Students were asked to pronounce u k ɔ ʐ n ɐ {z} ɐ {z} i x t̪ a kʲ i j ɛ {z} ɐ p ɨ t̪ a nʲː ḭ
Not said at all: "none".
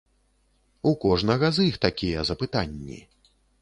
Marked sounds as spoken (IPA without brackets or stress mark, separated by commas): ɣ, z, z